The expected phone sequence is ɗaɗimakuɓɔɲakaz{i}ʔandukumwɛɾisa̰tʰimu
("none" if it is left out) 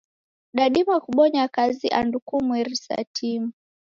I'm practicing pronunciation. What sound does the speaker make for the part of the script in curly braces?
i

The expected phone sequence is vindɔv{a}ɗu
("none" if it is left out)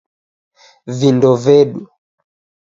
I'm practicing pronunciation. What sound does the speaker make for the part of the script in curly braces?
ɛ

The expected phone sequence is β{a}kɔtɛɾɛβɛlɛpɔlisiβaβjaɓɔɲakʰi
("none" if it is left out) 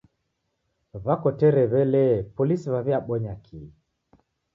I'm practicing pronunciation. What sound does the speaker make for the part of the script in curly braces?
a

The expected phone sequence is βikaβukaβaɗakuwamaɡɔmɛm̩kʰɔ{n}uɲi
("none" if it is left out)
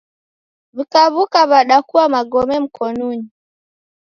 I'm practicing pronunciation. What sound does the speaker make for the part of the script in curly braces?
n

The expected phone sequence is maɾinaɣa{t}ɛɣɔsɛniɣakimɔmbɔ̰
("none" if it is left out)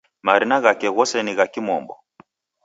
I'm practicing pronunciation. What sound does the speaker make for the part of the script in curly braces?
k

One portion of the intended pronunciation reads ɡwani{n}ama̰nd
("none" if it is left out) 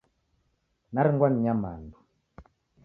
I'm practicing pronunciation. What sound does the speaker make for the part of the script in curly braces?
ɲ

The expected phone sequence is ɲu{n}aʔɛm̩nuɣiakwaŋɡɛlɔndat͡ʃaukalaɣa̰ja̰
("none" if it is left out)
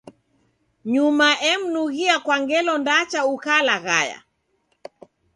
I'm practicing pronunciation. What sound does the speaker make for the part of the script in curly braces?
m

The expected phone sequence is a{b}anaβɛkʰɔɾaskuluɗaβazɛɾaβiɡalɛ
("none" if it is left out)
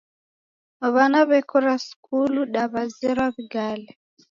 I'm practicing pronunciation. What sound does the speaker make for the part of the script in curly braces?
β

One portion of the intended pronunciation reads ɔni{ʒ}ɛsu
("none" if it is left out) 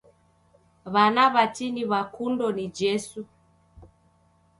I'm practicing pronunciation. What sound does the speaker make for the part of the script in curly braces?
d͡ʒ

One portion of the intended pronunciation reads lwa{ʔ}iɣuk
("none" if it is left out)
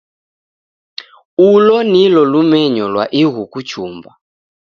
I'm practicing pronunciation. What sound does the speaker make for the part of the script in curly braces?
ʔ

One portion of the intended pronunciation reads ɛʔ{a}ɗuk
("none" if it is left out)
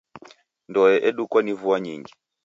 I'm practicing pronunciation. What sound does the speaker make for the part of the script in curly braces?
ɛ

